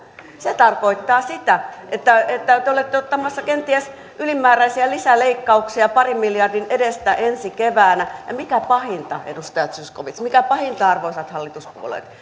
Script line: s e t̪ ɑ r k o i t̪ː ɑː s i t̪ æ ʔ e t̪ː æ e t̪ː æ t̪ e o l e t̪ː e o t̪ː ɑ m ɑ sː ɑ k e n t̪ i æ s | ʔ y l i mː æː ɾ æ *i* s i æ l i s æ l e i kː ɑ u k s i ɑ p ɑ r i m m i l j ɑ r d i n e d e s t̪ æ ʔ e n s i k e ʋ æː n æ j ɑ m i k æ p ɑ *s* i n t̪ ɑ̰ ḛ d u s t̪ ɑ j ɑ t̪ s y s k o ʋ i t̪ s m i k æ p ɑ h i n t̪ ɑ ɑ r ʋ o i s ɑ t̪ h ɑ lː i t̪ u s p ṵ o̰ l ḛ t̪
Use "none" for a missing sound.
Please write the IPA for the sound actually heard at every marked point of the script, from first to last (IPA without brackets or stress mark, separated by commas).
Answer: i, h